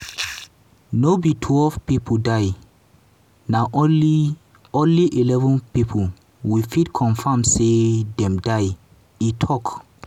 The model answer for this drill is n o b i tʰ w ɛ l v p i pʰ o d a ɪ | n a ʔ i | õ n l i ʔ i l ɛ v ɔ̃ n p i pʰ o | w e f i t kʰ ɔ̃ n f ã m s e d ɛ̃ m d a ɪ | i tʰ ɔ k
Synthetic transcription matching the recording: n o b i tʰ w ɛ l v p i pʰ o d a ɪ | n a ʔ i | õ n l i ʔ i l ɛ v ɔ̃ n p i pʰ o | w i f i t kʰ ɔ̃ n f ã m s e d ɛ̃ m d a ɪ | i tʰ ɔ k